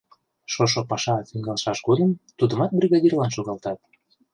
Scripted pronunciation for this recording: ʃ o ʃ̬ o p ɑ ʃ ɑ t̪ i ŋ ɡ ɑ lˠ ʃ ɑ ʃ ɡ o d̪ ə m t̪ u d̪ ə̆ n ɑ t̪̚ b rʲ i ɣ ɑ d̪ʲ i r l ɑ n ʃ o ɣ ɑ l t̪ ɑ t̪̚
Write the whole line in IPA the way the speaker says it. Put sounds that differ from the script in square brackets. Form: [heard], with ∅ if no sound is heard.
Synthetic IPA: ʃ o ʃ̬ o p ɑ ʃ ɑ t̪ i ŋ ɡ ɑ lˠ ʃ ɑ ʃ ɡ o d̪ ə m t̪ u d̪ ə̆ [m] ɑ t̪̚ b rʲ i ɣ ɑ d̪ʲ i r l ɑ n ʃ o ɣ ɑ l t̪ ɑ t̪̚

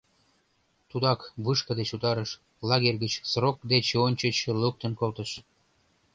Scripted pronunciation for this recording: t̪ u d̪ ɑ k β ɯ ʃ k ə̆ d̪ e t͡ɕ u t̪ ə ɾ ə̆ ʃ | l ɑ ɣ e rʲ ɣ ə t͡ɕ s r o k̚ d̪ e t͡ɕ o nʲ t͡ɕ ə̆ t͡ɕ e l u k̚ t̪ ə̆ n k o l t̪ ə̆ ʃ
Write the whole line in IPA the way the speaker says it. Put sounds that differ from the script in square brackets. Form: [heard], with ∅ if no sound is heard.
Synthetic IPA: t̪ u d̪ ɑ k β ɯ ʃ k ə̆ d̪ e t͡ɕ u t̪ [ɑ] ɾ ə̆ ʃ | l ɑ ɣ e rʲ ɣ ə t͡ɕ s r o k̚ d̪ e t͡ɕ o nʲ t͡ɕ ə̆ t͡ɕ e l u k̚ t̪ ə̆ n k o l t̪ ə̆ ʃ

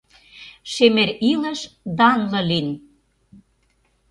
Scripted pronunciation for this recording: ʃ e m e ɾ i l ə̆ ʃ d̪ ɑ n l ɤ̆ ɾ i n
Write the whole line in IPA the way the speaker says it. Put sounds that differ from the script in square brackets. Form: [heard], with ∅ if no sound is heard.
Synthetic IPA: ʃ e m e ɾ i l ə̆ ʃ d̪ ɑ n l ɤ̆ [l] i n

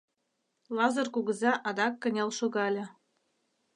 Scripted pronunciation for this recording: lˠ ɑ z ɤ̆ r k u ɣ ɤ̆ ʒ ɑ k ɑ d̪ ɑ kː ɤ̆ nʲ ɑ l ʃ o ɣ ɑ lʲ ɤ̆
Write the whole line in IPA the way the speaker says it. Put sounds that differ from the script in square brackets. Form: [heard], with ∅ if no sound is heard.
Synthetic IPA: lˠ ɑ z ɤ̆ r k u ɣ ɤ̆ [z] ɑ [ʔ] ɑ d̪ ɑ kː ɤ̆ nʲ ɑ l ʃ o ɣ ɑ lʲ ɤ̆

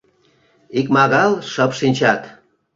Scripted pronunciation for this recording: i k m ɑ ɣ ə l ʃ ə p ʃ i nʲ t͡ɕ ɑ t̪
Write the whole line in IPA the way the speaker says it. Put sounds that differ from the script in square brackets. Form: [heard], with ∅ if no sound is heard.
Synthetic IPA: i k m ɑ ɣ [ɑ] l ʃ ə p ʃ i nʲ t͡ɕ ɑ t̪

